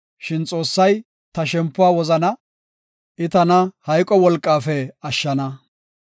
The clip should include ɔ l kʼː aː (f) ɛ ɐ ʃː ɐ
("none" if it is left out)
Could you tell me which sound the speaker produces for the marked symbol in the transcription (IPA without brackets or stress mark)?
f